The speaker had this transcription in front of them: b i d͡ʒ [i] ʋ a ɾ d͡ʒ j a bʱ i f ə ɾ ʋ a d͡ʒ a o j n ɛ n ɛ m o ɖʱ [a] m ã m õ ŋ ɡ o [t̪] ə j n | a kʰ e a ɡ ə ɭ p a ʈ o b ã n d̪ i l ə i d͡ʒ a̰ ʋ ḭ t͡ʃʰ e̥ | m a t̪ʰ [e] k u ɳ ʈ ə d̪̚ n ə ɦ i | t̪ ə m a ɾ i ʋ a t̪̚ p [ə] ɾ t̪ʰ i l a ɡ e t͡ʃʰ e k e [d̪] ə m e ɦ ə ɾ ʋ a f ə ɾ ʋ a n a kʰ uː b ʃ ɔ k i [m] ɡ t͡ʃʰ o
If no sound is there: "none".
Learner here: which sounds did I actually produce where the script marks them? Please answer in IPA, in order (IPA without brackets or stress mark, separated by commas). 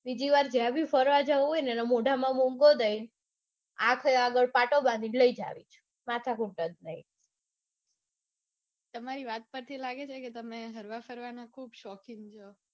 i, a, d̪, a, ə, t̪, ŋ